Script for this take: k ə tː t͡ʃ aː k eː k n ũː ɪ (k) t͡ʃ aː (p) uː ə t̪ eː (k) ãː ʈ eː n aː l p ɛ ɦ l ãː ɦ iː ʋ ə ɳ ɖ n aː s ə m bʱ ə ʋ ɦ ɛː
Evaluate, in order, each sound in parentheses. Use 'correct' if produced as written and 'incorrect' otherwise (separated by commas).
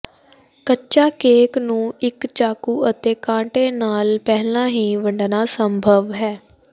correct, incorrect, correct